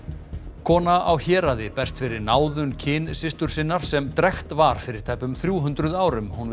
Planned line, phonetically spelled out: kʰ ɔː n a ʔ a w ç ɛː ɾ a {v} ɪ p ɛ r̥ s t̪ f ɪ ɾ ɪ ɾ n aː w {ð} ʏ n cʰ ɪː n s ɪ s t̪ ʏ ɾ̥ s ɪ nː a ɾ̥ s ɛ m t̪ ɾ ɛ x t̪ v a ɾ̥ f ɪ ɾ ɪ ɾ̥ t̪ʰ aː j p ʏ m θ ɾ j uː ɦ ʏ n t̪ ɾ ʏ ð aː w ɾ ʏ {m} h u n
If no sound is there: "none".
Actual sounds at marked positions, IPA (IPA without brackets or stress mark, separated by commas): ð, ð, m